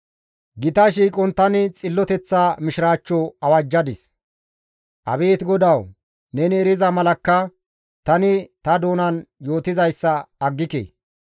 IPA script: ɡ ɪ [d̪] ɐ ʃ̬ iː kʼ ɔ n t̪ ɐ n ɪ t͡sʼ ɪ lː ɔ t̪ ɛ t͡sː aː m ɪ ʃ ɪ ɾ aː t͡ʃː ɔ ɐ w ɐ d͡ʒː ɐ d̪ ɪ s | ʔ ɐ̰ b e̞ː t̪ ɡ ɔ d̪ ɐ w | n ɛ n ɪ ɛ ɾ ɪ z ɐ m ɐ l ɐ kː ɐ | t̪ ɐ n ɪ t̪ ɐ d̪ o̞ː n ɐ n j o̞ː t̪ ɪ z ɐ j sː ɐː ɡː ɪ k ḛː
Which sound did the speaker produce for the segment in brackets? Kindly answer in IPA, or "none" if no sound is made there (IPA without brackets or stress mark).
t̪